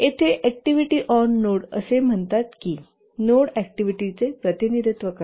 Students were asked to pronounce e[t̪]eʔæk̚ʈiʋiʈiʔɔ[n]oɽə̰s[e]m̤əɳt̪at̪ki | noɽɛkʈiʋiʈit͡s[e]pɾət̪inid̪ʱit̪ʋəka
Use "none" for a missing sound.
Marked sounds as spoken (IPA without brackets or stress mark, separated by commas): t̪ʰ, nː, e, e